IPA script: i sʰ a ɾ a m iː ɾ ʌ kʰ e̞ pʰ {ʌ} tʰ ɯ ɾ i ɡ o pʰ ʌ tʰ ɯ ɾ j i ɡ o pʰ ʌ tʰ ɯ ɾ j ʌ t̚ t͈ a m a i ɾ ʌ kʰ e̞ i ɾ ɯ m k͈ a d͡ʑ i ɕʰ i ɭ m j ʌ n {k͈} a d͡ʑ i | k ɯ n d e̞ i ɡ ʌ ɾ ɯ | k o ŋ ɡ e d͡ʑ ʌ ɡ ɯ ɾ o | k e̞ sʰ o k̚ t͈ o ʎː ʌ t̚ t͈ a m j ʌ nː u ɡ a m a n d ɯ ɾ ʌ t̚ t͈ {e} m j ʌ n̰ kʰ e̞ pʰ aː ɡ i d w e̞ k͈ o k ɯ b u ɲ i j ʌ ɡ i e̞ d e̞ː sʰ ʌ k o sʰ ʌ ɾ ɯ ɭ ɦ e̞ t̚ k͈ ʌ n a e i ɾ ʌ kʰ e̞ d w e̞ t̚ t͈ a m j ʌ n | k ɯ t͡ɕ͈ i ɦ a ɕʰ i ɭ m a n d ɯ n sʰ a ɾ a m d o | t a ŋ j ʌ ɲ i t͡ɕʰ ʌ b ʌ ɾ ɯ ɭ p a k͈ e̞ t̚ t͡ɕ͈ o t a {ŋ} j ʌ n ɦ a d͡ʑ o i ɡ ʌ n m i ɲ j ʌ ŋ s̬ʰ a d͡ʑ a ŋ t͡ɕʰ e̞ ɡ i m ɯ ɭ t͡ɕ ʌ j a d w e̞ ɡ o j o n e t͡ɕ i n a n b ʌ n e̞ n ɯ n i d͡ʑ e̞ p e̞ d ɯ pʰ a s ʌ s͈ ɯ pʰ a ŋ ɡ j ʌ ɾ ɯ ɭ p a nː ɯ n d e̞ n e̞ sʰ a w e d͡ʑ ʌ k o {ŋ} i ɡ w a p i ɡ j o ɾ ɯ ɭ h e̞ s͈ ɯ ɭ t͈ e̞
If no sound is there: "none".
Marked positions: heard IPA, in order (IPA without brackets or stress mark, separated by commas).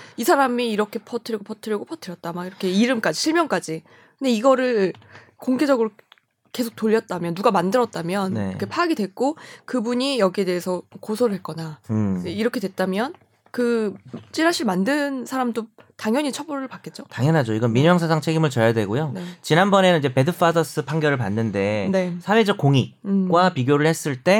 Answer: ʌ, k͈, a, ŋ, ŋ